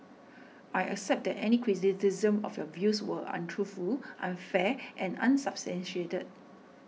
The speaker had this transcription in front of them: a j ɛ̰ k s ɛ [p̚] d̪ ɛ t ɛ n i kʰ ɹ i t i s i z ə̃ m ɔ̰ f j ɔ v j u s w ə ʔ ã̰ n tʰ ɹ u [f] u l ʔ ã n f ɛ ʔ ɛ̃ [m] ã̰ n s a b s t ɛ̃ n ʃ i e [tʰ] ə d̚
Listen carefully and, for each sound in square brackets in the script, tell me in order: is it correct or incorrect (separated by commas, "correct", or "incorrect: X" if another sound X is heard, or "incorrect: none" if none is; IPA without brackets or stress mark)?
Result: correct, correct, incorrect: n, incorrect: t